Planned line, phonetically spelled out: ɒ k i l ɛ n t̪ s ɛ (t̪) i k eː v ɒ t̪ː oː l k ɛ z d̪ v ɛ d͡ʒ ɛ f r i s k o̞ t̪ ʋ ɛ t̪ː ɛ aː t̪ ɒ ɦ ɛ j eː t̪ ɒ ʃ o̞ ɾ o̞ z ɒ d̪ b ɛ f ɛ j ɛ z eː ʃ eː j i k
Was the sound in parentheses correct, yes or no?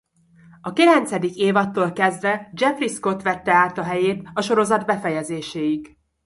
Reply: no